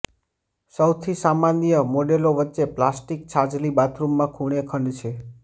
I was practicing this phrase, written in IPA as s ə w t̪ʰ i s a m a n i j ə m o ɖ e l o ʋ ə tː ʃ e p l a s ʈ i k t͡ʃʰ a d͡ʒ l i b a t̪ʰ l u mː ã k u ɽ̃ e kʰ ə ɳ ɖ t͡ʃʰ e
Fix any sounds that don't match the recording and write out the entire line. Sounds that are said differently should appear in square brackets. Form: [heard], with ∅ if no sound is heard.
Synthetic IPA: s ə w t̪ʰ i s a m a n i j ə m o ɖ e l o ʋ ə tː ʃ e p l a s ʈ i k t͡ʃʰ a d͡ʒ l i b a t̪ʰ [ɾ] u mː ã [kʰ] u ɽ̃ e kʰ ə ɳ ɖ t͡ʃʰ e